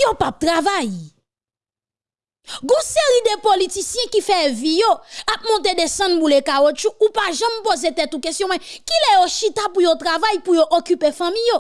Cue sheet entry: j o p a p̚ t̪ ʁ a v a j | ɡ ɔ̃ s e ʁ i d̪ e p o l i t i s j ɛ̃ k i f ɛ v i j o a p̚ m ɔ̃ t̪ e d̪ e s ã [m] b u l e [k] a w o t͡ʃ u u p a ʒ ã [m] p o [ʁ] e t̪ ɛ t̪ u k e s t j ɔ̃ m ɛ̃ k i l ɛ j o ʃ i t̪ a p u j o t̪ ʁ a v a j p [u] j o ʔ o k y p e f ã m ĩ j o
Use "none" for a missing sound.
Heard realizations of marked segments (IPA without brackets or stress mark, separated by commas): n, k, m, z, u